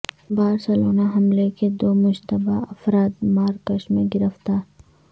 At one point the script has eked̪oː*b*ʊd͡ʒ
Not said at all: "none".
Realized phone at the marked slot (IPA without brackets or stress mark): m